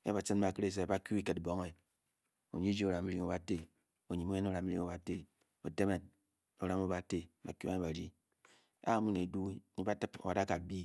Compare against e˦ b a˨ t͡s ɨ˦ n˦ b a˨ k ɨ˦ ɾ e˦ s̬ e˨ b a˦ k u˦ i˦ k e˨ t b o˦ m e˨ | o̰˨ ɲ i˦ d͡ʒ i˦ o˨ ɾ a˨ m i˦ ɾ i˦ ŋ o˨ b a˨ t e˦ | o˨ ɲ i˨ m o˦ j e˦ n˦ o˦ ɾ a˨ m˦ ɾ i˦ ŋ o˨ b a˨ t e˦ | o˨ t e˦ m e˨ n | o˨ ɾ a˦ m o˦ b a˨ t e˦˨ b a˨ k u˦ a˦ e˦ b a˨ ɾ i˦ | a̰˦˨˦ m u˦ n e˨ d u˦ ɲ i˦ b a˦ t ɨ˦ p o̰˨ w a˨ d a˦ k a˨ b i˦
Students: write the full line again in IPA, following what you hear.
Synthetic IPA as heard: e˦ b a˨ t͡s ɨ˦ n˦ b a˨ k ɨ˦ ɾ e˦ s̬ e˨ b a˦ k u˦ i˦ k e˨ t b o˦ ŋ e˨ | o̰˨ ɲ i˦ d͡ʒ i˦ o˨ ɾ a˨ m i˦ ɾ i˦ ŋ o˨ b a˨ t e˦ | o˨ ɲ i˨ m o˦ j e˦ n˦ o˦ ɾ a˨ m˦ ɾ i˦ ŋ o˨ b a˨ t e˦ | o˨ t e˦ m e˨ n | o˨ ɾ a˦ m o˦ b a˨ t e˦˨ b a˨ k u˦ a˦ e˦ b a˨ ɾ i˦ | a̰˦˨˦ m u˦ n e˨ d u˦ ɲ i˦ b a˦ t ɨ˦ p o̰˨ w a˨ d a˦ k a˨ b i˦